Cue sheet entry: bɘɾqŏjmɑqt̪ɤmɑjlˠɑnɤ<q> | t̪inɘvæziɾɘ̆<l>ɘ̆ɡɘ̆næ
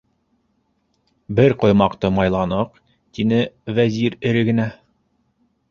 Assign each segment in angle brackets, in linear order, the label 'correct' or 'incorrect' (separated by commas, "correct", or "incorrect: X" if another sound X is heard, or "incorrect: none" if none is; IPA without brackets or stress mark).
correct, incorrect: ɾ